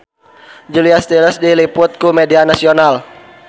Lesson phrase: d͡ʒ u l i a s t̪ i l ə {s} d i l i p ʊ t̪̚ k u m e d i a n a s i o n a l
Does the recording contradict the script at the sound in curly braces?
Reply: no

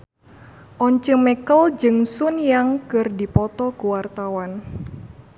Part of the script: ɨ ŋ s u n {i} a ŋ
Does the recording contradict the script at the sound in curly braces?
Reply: yes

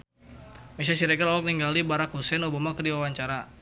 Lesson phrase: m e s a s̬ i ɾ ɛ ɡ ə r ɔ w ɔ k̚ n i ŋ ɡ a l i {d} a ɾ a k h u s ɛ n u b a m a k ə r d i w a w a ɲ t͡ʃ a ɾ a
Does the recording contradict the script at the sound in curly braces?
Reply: yes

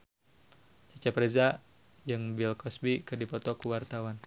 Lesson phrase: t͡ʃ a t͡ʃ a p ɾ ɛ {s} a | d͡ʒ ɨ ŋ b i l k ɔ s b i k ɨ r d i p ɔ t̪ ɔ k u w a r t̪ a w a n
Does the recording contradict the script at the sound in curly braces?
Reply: yes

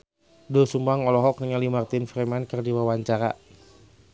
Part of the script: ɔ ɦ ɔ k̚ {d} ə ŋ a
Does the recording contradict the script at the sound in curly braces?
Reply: yes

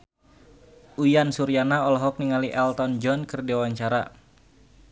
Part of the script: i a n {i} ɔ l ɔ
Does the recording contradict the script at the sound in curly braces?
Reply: yes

